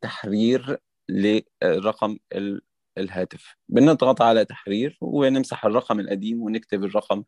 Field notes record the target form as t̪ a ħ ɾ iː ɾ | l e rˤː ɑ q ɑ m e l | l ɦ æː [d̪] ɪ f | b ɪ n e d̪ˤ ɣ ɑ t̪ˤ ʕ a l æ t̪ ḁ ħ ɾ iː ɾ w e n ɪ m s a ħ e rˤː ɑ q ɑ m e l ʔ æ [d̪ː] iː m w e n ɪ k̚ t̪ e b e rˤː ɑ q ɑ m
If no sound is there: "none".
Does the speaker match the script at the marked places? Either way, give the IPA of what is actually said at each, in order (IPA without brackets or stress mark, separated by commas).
t̪, d̪